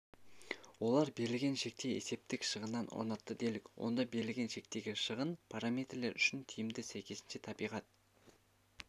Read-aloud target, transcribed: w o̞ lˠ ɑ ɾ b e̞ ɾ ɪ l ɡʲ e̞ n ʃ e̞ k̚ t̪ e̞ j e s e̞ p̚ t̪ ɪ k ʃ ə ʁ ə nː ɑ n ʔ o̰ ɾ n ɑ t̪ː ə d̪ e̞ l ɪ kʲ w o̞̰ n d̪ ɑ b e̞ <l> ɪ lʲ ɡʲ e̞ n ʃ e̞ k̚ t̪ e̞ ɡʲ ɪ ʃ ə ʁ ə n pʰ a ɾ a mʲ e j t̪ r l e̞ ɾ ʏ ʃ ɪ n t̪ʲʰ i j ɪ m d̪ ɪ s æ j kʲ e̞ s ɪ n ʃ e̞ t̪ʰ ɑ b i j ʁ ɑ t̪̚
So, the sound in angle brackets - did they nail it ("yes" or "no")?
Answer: no